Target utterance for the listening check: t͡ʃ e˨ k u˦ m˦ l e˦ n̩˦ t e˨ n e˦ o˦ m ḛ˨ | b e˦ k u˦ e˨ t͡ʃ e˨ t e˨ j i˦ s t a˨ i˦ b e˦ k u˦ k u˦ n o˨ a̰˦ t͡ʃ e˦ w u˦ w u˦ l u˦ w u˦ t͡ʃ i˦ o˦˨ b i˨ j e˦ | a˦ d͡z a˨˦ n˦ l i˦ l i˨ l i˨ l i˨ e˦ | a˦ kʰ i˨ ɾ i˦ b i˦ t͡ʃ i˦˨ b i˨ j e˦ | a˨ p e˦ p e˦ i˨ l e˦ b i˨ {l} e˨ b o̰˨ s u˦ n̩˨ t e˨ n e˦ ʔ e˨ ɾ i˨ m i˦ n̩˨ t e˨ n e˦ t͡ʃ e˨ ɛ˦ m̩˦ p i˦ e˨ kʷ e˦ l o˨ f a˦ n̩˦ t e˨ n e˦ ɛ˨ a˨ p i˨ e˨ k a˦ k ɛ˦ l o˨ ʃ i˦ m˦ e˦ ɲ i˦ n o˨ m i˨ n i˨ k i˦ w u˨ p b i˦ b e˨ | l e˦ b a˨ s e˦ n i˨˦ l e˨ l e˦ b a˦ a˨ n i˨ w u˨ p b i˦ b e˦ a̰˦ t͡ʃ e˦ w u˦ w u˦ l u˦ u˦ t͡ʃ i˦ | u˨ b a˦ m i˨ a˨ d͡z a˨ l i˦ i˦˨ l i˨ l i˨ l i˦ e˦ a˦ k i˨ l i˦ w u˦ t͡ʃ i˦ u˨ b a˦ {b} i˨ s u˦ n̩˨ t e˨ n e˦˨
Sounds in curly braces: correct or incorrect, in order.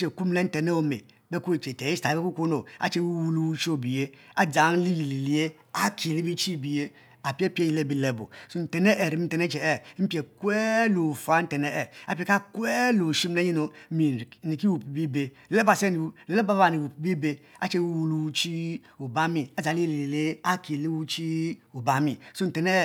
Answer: correct, incorrect

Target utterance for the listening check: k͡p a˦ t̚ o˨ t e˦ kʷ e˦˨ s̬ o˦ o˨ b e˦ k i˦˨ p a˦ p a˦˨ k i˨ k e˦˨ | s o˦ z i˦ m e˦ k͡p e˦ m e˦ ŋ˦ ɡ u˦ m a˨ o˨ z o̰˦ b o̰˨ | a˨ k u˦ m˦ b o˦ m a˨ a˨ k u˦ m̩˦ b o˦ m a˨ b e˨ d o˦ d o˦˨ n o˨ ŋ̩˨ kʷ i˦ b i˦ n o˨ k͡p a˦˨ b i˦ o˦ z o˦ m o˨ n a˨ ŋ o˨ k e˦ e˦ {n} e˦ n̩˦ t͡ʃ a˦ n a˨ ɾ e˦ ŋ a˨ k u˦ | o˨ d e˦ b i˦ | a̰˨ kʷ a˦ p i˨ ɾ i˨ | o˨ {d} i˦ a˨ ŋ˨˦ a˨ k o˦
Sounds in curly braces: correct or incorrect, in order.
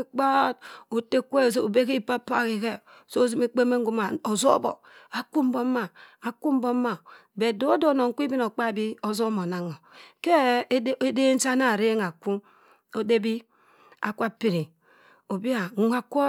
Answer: incorrect, incorrect

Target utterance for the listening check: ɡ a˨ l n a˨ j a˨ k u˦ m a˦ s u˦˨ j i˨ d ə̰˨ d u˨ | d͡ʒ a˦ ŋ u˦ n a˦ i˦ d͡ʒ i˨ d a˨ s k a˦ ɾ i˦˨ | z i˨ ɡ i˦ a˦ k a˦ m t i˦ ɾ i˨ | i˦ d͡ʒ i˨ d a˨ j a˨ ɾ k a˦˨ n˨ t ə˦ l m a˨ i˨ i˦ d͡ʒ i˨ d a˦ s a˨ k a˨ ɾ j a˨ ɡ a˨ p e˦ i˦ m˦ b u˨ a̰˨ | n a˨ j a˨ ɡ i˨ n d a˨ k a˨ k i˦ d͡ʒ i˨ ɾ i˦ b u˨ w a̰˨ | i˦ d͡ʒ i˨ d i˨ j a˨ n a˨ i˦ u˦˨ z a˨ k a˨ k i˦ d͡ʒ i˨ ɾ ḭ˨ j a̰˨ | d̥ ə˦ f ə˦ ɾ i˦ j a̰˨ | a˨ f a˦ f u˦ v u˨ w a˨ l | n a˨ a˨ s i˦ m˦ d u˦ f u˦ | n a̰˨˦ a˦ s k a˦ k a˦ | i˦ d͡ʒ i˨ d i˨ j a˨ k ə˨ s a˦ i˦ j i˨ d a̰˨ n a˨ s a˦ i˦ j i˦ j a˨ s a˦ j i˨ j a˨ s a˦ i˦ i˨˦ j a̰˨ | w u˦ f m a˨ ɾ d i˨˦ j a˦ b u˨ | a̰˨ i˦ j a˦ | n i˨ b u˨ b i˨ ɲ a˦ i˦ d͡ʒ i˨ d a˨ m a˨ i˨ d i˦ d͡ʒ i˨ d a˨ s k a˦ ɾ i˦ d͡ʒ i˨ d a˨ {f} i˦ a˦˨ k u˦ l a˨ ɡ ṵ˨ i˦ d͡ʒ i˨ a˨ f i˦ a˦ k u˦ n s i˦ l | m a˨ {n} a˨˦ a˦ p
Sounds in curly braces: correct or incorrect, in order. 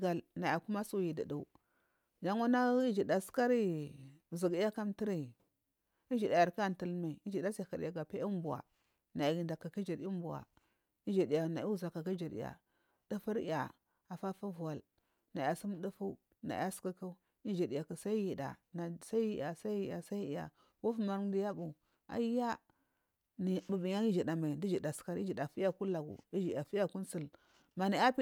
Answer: correct, correct

